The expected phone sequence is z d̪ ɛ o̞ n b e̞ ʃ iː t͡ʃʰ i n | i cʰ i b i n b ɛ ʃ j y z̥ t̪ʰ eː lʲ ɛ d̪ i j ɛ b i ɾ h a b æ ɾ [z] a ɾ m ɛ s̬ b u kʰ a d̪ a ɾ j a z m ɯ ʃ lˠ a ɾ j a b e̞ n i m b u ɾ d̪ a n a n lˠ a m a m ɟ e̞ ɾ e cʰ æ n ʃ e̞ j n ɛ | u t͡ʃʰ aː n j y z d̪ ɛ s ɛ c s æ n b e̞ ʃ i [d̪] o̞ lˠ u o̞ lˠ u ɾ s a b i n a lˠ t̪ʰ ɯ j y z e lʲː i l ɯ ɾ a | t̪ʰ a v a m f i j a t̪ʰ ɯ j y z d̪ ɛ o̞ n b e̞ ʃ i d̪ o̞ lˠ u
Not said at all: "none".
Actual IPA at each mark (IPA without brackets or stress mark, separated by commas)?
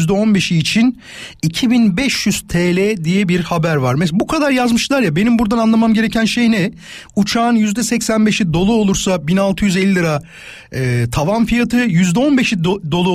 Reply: v, d̪